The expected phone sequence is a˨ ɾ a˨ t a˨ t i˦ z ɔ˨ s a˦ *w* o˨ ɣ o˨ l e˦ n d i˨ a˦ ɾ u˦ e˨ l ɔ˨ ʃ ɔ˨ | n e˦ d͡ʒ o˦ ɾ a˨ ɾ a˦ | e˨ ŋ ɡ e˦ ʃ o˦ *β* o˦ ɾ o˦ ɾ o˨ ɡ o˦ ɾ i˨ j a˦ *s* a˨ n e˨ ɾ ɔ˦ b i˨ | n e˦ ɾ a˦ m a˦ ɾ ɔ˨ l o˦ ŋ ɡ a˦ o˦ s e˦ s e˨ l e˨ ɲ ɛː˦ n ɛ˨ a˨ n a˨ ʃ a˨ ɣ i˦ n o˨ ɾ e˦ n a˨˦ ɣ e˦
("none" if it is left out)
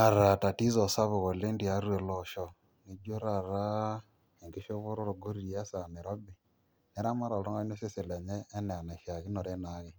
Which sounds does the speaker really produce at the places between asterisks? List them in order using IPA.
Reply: β, β, s

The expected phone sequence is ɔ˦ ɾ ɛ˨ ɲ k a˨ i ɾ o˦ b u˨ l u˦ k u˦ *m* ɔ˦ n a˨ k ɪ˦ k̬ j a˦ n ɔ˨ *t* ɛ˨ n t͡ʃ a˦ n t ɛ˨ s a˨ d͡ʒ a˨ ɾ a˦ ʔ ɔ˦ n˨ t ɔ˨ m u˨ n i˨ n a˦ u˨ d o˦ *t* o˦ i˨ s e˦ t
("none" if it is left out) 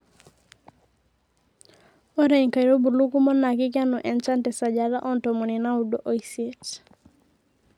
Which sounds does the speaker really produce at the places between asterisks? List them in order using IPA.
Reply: m, ʔ, ʔ

